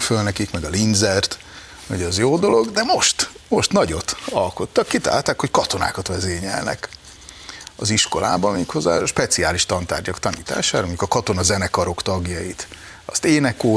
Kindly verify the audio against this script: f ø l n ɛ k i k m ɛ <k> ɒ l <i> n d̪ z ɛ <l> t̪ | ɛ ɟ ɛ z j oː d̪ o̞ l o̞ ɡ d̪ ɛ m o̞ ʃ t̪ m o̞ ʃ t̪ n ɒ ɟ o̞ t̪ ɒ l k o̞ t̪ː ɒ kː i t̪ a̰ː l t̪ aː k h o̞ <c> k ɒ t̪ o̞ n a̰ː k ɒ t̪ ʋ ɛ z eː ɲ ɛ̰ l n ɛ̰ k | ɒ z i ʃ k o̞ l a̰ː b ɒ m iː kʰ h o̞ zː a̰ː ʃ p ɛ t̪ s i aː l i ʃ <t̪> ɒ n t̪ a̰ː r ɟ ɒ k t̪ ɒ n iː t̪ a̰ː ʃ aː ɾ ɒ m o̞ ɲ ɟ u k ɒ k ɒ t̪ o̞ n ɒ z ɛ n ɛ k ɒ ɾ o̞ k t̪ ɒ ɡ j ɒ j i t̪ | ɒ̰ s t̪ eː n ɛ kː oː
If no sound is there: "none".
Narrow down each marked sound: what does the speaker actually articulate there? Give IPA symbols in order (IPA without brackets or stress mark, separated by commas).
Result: ɡ, i, r, c, t̪